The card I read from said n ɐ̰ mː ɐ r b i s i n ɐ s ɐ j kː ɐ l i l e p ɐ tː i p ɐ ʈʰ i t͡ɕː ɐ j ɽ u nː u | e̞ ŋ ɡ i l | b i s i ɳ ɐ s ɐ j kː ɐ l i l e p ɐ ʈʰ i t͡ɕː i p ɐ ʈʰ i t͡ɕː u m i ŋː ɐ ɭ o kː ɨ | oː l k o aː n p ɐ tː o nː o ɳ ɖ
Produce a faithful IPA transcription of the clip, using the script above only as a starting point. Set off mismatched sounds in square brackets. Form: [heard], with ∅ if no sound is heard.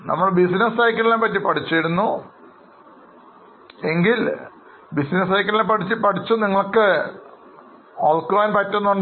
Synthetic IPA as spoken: n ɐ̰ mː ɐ [ɭ] b i s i n ɐ s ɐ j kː ɐ l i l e p ɐ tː i p ɐ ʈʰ i t͡ɕː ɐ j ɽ u nː u | e̞ ŋ ɡ i l | b i s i [n] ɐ s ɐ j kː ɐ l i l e p ɐ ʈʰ i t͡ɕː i p ɐ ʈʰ i t͡ɕː u [n] i ŋː ɐ ɭ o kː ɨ | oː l k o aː n p ɐ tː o nː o ɳ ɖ